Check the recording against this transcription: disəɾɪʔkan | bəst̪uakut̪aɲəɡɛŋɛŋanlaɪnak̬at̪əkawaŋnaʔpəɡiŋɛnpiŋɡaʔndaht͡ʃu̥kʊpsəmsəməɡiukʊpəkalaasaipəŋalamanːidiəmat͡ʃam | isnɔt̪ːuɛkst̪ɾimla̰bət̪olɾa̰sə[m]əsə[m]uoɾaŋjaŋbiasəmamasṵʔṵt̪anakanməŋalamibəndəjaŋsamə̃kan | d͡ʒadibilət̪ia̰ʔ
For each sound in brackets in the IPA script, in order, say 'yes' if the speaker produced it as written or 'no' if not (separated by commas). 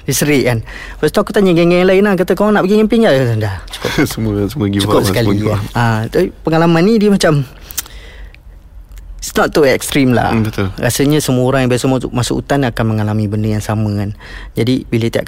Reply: no, yes